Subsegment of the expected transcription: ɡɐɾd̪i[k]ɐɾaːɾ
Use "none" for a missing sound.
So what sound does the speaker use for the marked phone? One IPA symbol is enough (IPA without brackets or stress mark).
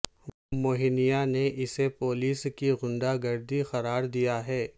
x